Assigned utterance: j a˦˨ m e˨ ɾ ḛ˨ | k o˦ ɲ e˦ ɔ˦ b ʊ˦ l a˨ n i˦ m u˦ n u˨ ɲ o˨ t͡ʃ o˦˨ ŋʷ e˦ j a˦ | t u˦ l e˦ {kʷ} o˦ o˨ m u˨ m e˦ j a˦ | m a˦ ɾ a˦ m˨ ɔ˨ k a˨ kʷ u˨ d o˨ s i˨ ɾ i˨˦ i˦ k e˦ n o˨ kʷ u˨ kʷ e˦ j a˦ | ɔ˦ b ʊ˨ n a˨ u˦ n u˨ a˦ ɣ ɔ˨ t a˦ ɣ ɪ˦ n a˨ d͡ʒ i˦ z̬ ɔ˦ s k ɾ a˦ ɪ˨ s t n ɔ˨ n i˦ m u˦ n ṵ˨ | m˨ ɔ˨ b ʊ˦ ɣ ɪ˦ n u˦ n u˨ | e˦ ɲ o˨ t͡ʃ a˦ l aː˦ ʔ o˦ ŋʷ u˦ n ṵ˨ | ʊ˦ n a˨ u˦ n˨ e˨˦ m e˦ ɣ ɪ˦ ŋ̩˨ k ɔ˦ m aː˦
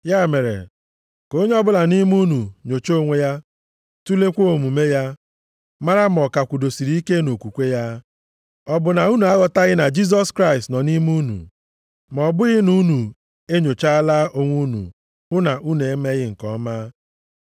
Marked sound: correct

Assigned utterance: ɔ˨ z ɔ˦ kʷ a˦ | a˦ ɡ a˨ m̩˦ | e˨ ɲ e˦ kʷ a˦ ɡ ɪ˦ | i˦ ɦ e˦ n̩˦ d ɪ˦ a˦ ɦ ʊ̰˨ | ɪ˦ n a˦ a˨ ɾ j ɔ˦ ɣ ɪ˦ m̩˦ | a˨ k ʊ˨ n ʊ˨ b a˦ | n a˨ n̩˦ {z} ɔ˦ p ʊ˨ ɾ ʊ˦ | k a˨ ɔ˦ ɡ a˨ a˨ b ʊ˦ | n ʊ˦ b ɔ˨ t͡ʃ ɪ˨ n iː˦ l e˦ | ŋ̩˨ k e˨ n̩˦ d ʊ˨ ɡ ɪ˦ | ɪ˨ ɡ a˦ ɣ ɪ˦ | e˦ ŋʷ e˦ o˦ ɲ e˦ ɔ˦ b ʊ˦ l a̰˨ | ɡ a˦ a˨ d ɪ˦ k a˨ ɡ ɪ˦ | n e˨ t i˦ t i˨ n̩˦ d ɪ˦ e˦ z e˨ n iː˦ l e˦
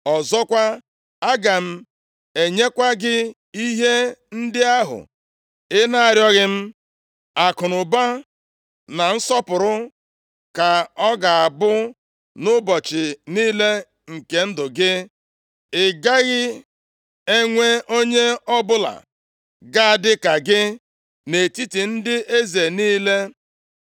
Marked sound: incorrect: s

